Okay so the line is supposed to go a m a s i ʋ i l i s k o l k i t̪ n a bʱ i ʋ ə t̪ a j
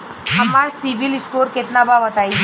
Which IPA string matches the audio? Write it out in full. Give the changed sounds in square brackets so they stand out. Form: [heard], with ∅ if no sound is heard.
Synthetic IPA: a m a s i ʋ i l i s k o [ɾ] k [e] t̪ n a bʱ [a] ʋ ə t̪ a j